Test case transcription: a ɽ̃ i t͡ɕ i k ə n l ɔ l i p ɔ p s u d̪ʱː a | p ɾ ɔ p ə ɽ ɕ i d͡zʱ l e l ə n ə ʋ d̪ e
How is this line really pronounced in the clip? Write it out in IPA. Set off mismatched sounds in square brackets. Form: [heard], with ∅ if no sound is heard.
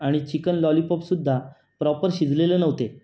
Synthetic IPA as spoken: a ɽ̃ i t͡ɕ i k ə n l ɔ l i p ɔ p s u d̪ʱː a | p ɾ ɔ p ə [ɾ] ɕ i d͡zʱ l e l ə n ə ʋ [t̪] e